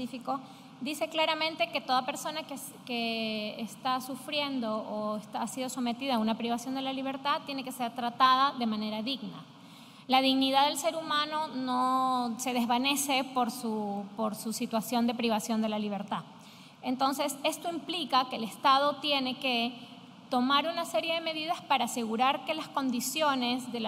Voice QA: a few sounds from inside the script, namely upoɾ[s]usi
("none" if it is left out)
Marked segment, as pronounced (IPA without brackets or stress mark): s